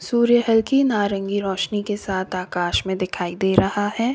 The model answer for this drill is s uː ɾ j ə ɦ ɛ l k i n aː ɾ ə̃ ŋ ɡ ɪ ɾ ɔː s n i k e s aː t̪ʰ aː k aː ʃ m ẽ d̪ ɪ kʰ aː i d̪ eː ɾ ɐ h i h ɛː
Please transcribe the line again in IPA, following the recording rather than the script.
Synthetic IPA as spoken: s uː ɾ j ə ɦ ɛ l k i n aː ɾ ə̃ ŋ ɡ i ɾ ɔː ʃ n i k e s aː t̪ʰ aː k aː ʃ m ẽ d̪ ɪ kʰ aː i d̪ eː ɾ ɐ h a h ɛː